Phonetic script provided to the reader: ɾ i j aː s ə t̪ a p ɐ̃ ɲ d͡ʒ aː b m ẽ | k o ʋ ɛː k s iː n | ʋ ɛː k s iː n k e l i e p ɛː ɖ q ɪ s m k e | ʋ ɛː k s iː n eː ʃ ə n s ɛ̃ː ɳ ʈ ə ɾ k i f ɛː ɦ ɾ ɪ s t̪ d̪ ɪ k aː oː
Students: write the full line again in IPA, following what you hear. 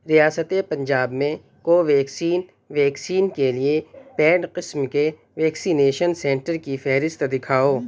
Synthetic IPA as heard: ɾ i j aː s ə t̪ e p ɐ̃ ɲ d͡ʒ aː b m ẽ | k o ʋ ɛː k s iː n | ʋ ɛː k s iː n k e l i e p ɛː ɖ q ɪ s m k e | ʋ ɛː k s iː n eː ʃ ə n s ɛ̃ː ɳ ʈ ə ɾ k i f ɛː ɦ ɾ ɪ s t̪ d̪ ɪ kʰ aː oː